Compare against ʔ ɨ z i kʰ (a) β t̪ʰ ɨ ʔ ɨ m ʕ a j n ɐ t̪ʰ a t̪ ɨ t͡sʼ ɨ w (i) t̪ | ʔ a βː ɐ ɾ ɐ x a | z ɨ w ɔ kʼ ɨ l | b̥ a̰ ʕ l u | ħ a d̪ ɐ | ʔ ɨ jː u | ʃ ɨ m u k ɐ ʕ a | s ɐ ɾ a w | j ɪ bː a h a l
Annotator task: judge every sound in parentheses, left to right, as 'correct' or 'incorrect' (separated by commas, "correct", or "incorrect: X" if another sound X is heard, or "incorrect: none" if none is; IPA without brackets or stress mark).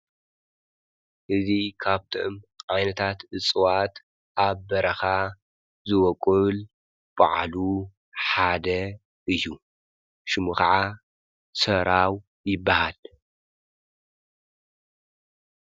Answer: correct, incorrect: a